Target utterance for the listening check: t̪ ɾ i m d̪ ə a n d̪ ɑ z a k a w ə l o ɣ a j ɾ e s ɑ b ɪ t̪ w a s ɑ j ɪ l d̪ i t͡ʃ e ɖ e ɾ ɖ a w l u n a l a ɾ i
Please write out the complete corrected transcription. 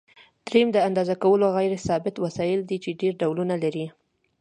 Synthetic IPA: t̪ ɾ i m d̪ ə a n d̪ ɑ z a k a w ə l o ɣ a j ɾ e s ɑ b ɪ t̪ w a s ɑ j ɪ l d̪ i t͡ʃ e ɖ e ɾ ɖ a w l u n a l a ɾ i

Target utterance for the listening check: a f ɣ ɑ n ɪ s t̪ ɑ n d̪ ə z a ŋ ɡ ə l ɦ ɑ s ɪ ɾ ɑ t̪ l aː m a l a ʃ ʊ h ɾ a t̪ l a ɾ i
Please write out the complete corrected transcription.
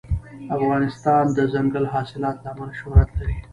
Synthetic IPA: a f ɣ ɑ n ɪ s t̪ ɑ n d̪ ə z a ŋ ɡ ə l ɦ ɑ s ɪ l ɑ t̪ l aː m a l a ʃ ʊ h ɾ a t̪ l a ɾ i

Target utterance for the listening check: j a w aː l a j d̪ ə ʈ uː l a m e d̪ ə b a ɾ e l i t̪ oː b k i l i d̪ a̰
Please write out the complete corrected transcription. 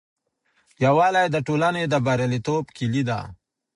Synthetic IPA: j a w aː l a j d̪ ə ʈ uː l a n e d̪ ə b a ɾ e l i t̪ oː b k i l i d̪ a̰

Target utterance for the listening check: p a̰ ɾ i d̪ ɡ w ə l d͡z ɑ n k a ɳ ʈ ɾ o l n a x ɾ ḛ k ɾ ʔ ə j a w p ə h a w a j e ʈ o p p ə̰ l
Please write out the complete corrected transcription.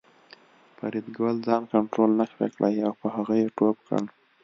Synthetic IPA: p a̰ ɾ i d̪ ɡ w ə l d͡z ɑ n k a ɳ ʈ ɾ o l n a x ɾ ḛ k ɽ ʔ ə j a w p ə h a ɣ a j e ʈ o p k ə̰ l

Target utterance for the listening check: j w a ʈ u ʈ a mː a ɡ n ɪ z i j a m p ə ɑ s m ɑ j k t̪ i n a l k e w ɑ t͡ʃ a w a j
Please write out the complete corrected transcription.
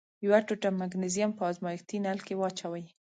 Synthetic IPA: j w a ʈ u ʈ a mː a ɡ n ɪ z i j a m p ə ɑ z m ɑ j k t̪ i n a l k e w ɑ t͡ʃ a w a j

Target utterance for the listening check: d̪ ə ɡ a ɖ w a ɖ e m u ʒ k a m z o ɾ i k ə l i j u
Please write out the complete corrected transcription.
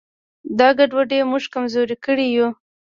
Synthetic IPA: d̪ ɑ ɡ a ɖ w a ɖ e m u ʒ k a m z o ɾ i k ə ɽ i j u

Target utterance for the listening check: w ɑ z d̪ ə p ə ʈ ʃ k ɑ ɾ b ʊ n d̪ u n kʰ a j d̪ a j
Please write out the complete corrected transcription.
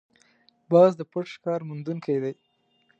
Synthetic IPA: b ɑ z d̪ ə p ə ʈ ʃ k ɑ ɾ m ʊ n d̪ u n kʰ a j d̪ a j

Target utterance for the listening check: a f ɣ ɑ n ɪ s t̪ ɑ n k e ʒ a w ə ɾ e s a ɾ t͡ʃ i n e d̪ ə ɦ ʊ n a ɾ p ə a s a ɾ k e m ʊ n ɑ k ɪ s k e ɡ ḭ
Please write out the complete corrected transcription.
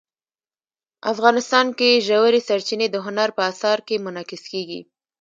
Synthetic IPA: a f ɣ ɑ n ɪ s t̪ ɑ n k e ʒ a w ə ɾ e s a ɾ t͡ʃ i n e d̪ ə ɦ ʊ n a ɾ p ə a s ɑ ɾ k e m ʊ n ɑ k ɪ s k e ɡ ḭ

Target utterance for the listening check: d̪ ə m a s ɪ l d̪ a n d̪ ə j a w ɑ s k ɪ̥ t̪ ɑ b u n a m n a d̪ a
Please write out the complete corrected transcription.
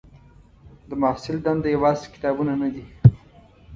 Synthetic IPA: d̪ ə m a s ɪ l d̪ a n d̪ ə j a w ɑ z k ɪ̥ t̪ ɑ b u n a n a d̪ i

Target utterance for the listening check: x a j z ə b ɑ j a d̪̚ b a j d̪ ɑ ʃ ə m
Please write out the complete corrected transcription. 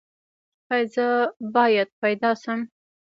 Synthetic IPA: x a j z ə b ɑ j a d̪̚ p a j d̪ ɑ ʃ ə m

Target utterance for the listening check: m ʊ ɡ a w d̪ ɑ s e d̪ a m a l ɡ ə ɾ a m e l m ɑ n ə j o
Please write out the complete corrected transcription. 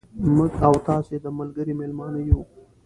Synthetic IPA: m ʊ ɡ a w t̪ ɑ s e d̪ ə m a l ɡ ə ɾ i m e l m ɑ n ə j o

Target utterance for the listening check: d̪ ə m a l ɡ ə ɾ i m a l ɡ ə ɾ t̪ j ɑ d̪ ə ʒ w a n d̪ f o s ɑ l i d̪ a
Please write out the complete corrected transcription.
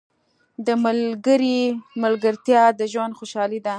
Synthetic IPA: d̪ ə m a l ɡ ə ɾ i m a l ɡ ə ɾ t̪ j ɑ d̪ ə ʒ w a n d̪ x o ʃ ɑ l i d̪ a

